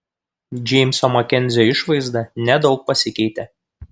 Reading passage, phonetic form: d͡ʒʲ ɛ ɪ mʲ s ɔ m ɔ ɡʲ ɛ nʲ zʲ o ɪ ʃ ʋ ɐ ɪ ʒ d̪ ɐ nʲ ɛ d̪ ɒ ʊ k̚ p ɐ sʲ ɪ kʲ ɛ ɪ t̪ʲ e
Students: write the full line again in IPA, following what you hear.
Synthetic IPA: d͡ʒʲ ɛ ɪ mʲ s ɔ m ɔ kʲ ɛ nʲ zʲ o ɪ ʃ ʋ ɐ ɪ z d̪ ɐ nʲ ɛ d̪ ɒ ʊ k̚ p ɐ sʲ ɪ kʲ ɛ ɪ t̪ʲ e